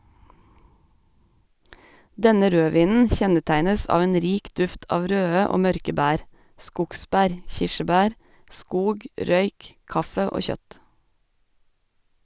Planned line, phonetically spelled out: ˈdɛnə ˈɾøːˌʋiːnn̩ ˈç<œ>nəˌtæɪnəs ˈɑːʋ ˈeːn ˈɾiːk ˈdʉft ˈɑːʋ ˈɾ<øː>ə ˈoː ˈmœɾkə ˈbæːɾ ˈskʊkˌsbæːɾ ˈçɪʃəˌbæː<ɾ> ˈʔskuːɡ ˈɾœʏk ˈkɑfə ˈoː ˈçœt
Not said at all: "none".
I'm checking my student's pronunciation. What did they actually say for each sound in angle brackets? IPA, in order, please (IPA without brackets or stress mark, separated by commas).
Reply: ɛ, øː, ɾ